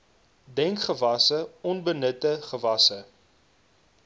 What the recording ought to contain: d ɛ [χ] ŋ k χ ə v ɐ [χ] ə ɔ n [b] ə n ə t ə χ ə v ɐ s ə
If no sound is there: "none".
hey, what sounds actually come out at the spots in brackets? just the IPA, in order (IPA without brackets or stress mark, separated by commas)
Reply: none, s, b